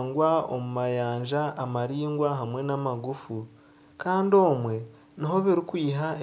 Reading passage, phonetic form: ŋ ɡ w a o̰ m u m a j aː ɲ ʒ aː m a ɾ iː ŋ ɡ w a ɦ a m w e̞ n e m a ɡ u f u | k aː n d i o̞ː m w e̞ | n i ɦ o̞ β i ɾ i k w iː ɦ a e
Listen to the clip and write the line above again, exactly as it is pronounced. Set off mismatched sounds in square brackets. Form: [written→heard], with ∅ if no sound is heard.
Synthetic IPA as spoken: ŋ ɡ w a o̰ m u m a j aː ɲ ʒ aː m a ɾ iː ŋ ɡ w a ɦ a m w e̞ n [e→a] m a ɡ u f u | k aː n d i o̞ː m w e̞ | n i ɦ o̞ β i ɾ i k w iː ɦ a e